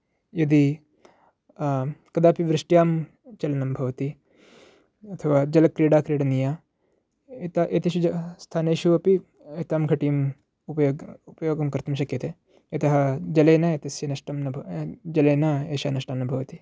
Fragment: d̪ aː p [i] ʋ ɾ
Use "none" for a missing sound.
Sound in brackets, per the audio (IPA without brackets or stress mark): i